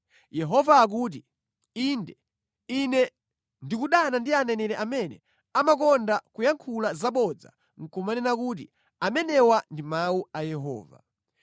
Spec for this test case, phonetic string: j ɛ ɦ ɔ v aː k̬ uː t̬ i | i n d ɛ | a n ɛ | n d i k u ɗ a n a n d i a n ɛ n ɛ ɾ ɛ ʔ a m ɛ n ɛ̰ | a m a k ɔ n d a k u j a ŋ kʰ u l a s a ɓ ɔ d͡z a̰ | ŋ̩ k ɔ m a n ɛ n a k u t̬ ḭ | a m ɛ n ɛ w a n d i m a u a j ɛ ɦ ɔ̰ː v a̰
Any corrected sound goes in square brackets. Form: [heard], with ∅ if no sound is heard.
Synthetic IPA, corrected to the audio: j ɛ ɦ ɔ v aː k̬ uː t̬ i | i n d ɛ | [i] n ɛ | n d i k u ɗ a n a n d i a n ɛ n ɛ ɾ ɛ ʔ a m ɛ n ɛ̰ | a m a k ɔ n d a k u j a ŋ kʰ u l a [z] a ɓ ɔ d͡z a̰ | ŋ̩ k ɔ m a n ɛ n a k u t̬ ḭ | a m ɛ n ɛ w a n d i m a u a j ɛ ɦ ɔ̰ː v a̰